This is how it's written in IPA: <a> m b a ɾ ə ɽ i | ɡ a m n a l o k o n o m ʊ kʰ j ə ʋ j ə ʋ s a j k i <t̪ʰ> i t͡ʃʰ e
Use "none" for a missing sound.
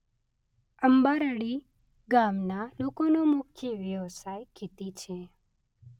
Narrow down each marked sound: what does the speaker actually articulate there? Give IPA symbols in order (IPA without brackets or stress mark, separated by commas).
ə, t̪